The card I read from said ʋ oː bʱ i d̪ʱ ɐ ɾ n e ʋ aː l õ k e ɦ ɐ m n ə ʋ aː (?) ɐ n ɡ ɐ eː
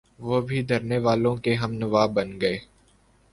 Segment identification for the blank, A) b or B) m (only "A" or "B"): A